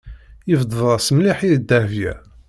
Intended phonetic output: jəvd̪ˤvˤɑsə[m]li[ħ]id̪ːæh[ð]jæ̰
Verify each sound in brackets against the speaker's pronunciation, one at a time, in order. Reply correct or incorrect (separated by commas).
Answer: correct, correct, incorrect